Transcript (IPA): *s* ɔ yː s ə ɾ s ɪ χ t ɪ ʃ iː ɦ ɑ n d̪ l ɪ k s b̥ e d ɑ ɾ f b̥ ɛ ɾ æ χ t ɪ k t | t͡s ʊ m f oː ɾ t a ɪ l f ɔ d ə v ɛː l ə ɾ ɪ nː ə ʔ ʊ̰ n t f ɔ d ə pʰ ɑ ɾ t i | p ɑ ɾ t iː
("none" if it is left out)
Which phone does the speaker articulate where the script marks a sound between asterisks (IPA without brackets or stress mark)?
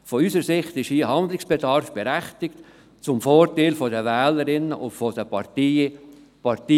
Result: f